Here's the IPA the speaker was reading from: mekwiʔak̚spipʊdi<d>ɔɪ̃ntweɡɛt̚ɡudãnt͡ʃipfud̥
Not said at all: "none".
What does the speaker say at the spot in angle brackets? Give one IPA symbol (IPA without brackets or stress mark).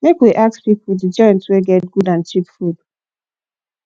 d͡ʒ